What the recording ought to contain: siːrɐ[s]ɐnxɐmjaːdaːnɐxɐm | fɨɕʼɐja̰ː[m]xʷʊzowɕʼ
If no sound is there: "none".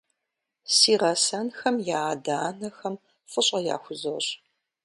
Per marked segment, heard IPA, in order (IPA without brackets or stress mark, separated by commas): s, none